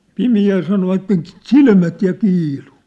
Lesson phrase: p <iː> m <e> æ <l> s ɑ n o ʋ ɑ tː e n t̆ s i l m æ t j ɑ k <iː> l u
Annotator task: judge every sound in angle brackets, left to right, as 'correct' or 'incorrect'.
incorrect: i, incorrect: i, correct, correct

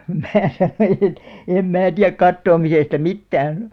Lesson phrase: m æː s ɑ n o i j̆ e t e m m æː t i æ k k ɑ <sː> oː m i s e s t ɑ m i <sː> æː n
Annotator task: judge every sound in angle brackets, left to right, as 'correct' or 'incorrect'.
incorrect: tː, incorrect: tː

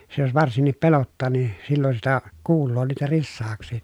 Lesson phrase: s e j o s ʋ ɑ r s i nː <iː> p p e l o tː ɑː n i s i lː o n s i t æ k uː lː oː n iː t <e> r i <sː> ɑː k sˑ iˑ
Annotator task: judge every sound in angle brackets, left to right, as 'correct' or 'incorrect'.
incorrect: i, incorrect: æ, correct

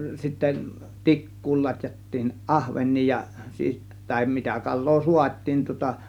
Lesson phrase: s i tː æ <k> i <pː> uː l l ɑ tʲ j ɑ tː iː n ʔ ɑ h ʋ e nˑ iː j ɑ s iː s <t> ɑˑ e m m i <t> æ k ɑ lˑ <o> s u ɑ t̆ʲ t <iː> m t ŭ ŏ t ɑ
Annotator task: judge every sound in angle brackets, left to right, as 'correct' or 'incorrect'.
incorrect: t, incorrect: kː, correct, correct, incorrect: oː, correct

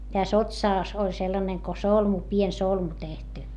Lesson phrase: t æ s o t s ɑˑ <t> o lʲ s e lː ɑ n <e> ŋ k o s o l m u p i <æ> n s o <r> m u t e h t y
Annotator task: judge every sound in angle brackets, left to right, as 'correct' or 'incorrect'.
incorrect: s, correct, incorrect: e, incorrect: l

